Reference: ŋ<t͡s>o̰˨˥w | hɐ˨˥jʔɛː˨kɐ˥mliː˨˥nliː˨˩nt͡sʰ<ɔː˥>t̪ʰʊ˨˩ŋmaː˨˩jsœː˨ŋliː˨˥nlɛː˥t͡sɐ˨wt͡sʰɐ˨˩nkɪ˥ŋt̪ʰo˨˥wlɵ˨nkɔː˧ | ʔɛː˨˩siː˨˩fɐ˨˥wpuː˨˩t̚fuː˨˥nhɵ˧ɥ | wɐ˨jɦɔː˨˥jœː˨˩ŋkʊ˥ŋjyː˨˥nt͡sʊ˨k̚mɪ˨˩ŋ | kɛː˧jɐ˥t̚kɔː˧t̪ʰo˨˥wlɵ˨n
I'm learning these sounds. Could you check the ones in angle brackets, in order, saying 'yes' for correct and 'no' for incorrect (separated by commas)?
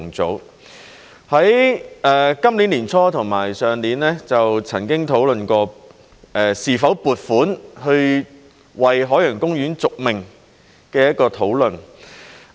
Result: yes, yes